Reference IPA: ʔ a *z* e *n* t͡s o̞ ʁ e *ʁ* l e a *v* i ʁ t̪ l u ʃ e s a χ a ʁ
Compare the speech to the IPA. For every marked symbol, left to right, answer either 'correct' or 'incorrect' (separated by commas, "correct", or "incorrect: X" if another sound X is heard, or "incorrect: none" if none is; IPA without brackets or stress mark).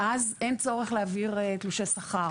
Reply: correct, correct, incorrect: χ, correct